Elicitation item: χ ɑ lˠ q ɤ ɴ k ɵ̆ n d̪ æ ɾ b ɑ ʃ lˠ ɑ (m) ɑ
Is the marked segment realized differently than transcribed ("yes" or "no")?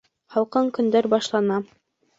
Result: yes